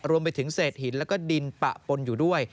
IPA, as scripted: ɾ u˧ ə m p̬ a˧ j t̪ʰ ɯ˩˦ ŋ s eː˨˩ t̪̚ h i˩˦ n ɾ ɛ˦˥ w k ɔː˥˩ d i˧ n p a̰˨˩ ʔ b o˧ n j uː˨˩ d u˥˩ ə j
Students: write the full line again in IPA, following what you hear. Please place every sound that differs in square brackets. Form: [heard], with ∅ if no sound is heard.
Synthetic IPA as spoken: ɾ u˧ ə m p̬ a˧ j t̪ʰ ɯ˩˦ ŋ s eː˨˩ t̪̚ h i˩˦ n [l] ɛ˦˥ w k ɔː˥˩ d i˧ n p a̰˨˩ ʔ [p] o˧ n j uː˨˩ d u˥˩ ə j